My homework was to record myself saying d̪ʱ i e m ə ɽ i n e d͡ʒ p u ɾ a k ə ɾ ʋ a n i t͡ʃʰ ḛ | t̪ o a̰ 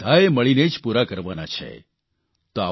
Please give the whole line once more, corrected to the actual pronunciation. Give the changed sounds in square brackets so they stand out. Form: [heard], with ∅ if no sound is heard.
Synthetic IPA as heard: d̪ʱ [a] e m ə [ɭ] i n e d͡ʒ p u ɾ a k ə ɾ ʋ a n [a] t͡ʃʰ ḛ | t̪ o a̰